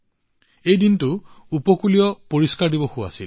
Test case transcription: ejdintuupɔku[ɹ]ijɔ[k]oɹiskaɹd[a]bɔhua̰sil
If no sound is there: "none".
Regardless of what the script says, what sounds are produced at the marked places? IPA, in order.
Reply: l, p, i

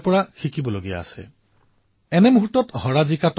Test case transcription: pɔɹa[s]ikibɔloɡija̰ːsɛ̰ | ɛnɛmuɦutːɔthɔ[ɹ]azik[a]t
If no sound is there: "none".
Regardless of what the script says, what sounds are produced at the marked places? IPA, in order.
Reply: x, ɹ, a

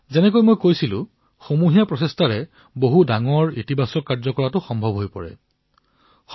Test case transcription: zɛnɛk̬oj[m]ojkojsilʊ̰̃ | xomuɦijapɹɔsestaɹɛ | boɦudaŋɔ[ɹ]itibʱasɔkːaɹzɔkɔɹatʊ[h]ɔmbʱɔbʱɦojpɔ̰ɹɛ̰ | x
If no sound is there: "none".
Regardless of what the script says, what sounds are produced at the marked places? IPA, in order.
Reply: m, ɹ, x

